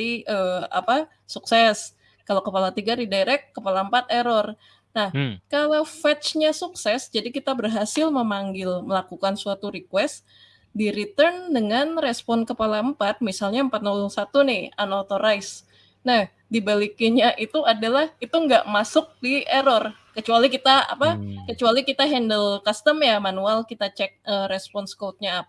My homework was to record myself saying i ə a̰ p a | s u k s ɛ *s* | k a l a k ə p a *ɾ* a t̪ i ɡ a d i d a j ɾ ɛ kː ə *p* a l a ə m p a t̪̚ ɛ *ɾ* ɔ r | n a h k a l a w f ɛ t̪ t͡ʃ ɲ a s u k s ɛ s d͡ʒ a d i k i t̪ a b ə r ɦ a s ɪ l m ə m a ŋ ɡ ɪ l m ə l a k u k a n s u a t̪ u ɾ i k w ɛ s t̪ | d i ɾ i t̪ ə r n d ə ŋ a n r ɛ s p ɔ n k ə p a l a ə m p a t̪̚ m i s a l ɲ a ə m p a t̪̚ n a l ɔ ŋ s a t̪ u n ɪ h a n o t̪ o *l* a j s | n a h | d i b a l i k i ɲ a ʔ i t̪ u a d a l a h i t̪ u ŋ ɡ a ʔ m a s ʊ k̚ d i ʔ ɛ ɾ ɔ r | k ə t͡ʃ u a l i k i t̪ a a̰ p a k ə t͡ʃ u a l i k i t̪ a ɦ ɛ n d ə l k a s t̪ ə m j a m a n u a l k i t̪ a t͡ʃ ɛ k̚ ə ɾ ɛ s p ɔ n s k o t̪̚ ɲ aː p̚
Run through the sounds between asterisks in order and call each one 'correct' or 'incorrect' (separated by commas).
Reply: correct, incorrect, correct, correct, incorrect